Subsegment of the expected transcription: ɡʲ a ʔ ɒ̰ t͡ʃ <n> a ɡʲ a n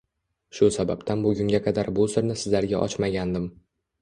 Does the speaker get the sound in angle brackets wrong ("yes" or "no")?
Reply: yes